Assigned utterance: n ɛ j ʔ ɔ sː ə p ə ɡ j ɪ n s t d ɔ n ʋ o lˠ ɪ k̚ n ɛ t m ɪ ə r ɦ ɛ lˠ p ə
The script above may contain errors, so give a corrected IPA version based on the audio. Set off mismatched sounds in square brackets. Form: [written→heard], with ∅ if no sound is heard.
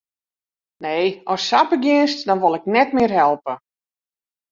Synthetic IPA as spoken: n [ɛ→e] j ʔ ɔ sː [ə→a] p ə ɡ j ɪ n s t d ɔ n ʋ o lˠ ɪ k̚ n ɛ t m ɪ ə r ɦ ɛ lˠ p ə